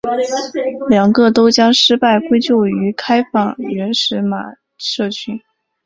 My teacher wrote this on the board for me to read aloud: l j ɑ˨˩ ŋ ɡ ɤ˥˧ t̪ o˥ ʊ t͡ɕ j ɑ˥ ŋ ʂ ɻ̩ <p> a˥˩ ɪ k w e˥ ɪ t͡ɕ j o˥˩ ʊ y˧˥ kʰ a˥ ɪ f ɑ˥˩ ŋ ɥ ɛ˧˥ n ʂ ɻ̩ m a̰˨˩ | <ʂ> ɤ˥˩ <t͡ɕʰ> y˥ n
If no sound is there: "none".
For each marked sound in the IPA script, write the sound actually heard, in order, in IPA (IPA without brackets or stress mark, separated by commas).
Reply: p, ʂ, t͡ɕʰ